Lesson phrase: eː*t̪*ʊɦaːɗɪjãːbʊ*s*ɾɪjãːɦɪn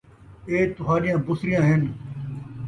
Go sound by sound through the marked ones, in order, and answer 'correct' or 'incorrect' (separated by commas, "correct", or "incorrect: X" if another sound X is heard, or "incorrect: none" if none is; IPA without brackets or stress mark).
correct, correct